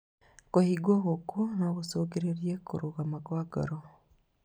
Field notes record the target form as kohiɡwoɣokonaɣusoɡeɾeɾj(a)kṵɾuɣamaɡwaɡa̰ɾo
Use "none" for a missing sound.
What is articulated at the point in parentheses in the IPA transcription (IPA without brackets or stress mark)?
e